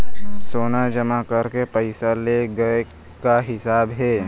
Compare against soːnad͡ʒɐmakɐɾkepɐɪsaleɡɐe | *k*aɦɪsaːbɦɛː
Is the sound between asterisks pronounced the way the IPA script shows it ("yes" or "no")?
yes